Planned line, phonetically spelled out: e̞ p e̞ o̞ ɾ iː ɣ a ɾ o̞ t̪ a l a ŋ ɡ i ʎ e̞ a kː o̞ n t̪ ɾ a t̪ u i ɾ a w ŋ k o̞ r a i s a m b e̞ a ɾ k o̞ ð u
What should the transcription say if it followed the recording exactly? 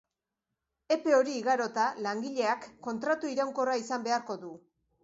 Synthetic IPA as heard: e̞ p e̞ o̞ ɾ iː ɣ a ɾ o̞ t̪ a l a ŋ ɡ i ʎ e̞ a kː o̞ n t̪ ɾ a t̪ u i ɾ a w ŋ k o̞ r a i s a m b e̞ a ɾ k o̞ ð u